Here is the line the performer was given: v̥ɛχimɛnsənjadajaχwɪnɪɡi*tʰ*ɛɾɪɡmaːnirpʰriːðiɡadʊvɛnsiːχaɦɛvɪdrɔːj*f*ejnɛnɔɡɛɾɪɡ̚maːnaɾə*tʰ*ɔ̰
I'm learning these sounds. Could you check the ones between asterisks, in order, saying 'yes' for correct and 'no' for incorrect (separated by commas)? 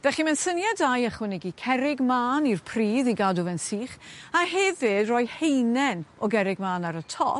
no, no, yes